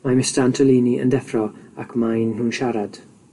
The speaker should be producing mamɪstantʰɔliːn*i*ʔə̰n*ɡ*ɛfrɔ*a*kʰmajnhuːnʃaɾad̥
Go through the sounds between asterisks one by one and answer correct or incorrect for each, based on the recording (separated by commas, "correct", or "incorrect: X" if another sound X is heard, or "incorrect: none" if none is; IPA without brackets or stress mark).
correct, incorrect: d, correct